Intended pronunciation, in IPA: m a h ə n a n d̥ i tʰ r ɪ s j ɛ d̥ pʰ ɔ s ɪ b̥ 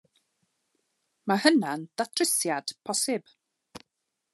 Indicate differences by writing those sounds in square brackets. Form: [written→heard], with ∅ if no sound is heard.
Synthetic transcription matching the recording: m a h ə n a n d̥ [i→a] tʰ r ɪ s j [ɛ→a] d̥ pʰ ɔ s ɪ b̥